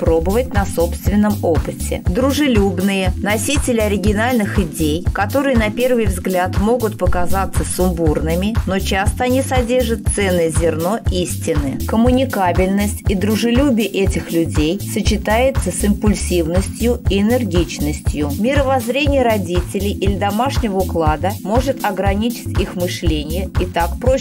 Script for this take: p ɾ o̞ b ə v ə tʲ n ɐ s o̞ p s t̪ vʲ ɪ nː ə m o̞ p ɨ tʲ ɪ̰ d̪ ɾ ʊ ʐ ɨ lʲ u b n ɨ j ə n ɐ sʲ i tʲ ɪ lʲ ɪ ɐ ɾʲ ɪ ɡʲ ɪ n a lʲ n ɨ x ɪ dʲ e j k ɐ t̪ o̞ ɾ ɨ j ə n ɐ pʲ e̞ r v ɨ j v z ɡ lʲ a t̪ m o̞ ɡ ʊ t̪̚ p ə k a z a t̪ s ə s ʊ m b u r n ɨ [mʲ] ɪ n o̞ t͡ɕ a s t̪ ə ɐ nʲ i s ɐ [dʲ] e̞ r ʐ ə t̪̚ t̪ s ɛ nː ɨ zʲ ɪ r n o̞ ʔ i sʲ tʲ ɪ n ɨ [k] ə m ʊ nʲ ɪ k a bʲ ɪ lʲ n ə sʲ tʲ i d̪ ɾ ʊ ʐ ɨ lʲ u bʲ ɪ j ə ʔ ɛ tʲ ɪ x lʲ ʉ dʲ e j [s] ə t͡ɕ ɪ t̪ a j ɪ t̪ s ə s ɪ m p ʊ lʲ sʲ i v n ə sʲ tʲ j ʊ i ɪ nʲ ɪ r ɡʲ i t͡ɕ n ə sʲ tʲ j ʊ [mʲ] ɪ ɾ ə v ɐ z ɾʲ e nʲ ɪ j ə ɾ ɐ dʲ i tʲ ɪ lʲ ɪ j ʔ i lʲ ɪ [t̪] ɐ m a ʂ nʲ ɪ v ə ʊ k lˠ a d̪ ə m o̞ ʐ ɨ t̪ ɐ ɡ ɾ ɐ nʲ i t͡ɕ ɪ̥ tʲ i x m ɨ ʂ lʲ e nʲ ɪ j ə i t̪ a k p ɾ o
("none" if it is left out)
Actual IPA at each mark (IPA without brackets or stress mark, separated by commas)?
mʲ, dʲ, k, s, mʲ, d̪